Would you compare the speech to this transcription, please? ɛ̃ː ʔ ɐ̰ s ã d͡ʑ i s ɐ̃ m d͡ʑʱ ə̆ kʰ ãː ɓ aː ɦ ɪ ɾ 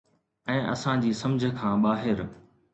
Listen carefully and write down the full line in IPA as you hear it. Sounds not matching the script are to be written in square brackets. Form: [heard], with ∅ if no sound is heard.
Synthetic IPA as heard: ɛ̃ː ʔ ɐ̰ s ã d͡ʑ [iː] s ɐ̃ m d͡ʑʱ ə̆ kʰ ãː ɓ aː ɦ ɪ ɾ

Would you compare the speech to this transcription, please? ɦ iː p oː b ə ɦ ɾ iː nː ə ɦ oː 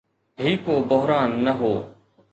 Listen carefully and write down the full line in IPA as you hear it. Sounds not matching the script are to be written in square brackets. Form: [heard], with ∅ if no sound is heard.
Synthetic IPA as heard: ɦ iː [k] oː b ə ɦ ɾ [aː] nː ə ɦ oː

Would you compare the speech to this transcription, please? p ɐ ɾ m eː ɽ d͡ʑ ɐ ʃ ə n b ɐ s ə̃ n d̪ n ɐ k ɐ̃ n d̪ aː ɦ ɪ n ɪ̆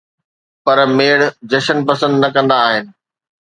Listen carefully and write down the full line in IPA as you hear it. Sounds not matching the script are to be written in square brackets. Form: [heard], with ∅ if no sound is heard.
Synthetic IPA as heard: p ɐ ɾ m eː ɽ d͡ʑ ɐ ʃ ə n [p] ɐ s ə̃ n d̪ n ɐ k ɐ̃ n d̪ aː ɦ ɪ n ɪ̆

